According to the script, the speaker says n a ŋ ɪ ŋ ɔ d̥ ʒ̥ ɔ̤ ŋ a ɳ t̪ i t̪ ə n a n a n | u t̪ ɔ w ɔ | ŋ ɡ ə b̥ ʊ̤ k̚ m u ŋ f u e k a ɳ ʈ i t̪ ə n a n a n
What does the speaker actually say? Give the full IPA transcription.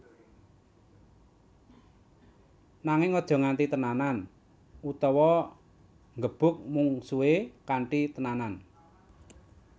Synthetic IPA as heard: n a ŋ ɪ ŋ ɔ d̥ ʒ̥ ɔ̤ ŋ a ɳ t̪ i t̪ ə n a n a n | u t̪ ɔ w ɔ | ŋ ɡ ə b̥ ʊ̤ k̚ m u ŋ s u e k a ɳ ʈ i t̪ ə n a n a n